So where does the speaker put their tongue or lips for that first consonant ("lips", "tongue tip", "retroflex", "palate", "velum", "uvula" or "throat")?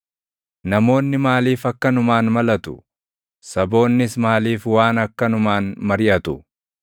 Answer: tongue tip